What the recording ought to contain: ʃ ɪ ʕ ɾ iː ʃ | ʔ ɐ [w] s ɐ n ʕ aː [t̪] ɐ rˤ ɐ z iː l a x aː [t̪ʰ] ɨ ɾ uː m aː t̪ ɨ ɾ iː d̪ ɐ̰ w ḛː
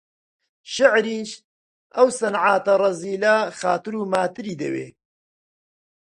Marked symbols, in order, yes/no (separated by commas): yes, yes, no